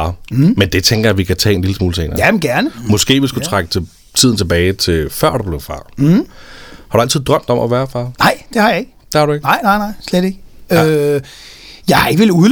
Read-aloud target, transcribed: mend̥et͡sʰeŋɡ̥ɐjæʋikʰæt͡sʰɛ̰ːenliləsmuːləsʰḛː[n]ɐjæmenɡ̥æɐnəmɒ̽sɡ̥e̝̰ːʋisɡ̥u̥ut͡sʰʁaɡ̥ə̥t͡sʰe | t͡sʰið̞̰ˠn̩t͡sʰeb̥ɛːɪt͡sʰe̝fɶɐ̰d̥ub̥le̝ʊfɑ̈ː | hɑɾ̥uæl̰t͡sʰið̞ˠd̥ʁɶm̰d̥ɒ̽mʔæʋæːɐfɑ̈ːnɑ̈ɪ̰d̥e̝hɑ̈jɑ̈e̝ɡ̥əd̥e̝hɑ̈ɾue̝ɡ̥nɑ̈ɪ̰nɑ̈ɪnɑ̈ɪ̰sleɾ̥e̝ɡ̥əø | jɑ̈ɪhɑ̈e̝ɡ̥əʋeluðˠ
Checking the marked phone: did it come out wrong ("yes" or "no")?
no